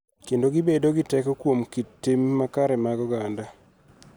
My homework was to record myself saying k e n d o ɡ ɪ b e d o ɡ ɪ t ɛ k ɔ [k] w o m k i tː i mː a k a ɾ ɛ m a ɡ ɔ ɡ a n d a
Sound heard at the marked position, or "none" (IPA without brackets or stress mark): k